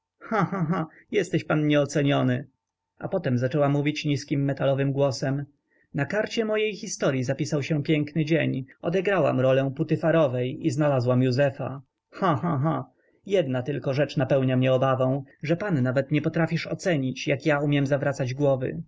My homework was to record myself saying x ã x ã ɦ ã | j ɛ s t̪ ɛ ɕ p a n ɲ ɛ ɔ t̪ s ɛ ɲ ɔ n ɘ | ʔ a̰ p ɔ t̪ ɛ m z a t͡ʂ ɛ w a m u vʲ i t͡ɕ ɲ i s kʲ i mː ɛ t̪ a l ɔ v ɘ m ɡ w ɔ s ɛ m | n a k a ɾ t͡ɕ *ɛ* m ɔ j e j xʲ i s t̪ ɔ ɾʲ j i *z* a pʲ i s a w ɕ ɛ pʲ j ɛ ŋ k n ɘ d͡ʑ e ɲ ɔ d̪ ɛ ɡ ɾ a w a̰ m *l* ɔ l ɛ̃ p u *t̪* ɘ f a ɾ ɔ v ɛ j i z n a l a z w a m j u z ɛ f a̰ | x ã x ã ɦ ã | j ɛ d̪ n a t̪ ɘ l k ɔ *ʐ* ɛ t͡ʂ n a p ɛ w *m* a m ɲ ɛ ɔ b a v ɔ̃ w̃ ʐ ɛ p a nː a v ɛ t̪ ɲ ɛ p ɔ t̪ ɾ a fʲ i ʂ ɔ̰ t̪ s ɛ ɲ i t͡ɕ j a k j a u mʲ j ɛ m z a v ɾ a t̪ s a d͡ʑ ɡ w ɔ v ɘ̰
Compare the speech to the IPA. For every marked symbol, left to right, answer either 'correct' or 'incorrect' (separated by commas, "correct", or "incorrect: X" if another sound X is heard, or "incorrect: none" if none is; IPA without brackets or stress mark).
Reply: correct, correct, incorrect: ɾ, correct, correct, incorrect: ɲ